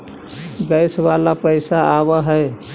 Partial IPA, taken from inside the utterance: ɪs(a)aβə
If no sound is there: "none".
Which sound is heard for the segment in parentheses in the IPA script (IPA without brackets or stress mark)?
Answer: a